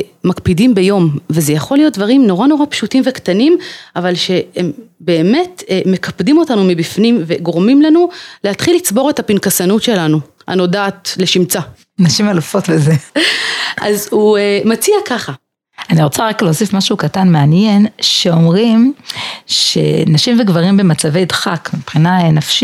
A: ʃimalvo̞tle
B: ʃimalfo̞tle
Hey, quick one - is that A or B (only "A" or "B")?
B